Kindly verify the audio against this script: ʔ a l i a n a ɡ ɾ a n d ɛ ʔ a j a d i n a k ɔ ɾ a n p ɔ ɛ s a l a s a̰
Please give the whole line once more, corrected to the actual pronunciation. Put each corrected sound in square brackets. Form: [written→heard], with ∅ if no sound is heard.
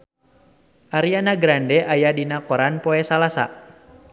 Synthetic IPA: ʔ a [l→ɾ] i a n a ɡ ɾ a n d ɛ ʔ a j a d i n a k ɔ ɾ a n p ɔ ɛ s a l a s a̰